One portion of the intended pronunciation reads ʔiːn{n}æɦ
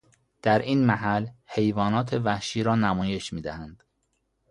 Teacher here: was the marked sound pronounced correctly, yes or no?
no